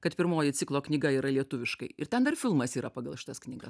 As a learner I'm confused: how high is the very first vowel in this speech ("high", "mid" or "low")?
low